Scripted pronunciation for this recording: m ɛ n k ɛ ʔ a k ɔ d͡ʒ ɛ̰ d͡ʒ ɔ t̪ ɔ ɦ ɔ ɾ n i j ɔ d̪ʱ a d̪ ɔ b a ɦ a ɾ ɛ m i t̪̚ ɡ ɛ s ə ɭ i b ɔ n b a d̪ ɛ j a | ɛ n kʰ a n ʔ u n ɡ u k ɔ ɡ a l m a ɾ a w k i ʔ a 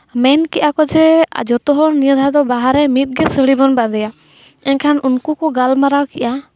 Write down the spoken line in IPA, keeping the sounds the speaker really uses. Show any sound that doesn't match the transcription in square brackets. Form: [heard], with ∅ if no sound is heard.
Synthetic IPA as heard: m ɛ n k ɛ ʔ a k ɔ d͡ʒ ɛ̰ d͡ʒ ɔ t̪ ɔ ɦ ɔ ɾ n i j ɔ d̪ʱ a d̪ ɔ b a ɦ a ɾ ɛ m i t̪̚ ɡ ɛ s ə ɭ i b ɔ n b a d̪ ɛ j a | ɛ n kʰ a n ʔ u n [k] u k ɔ ɡ a l m a ɾ a w k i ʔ a